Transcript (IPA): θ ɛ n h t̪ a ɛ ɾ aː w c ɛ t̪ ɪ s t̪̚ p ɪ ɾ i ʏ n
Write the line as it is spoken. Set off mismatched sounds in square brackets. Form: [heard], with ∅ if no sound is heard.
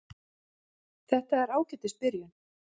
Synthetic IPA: θ ɛ [∅] h t̪ a ɛ ɾ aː w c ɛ t̪ ɪ s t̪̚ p ɪ ɾ [j] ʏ n